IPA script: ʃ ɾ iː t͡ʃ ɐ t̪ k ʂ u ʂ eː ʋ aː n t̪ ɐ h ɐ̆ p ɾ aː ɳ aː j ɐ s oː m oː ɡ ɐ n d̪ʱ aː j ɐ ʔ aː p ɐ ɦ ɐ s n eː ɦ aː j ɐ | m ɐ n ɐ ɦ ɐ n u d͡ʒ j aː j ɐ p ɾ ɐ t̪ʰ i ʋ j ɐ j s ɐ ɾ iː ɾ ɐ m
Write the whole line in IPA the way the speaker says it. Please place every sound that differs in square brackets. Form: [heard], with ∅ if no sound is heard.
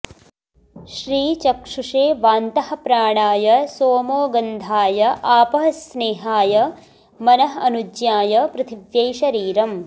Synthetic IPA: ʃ ɾ iː t͡ʃ ɐ [∅] k ʂ u ʂ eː ʋ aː n t̪ ɐ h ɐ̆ p ɾ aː ɳ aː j ɐ s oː m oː ɡ ɐ n d̪ʱ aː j ɐ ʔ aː p ɐ ɦ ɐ s n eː ɦ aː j ɐ | m ɐ n ɐ ɦ ɐ n u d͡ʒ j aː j ɐ p ɾ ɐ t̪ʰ i ʋ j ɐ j [ʃ] ɐ ɾ iː ɾ ɐ m